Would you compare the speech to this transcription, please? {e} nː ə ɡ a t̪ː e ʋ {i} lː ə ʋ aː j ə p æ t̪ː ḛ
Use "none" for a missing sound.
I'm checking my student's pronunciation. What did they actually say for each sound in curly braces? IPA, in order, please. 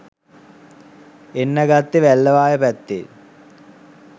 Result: e, æ

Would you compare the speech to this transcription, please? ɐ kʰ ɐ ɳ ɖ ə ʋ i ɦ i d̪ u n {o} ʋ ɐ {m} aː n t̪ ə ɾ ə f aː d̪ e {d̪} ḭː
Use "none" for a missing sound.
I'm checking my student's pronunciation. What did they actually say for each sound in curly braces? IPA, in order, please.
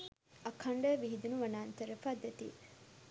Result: u, n, t̪

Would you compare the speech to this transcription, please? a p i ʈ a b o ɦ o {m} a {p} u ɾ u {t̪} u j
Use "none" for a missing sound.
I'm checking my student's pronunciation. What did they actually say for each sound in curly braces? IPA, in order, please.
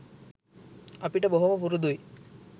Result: m, p, d̪

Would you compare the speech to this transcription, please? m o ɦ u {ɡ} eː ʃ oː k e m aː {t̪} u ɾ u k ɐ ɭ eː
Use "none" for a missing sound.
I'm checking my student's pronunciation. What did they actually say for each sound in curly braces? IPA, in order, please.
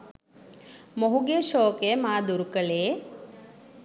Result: ɡ, d̪

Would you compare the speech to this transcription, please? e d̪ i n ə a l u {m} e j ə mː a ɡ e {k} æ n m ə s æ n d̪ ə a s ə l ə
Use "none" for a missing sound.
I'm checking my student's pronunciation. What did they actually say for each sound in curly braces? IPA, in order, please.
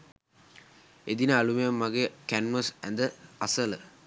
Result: m, k

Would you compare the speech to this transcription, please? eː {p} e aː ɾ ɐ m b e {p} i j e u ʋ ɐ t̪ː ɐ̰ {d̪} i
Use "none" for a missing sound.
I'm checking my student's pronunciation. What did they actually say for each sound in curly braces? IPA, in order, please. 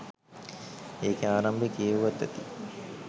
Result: k, k, t̪

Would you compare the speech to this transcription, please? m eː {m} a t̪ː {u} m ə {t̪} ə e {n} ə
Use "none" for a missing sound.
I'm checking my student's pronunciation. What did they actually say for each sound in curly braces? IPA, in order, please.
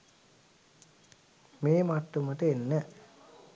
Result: m, u, t̪, nː

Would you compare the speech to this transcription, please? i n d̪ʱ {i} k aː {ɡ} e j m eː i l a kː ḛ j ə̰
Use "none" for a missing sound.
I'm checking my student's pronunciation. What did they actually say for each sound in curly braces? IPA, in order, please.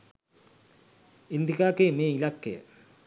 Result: i, k

